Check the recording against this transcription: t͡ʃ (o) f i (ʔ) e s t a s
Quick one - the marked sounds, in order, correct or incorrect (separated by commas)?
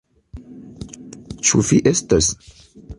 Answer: incorrect, correct